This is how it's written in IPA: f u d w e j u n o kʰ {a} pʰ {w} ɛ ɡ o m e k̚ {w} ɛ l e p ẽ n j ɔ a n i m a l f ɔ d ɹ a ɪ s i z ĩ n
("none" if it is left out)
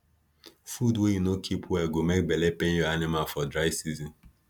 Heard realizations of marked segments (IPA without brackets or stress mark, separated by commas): i, w, b